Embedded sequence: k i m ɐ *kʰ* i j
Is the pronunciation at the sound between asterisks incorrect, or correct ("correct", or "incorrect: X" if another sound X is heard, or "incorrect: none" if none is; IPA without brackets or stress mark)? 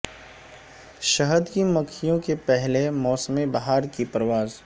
correct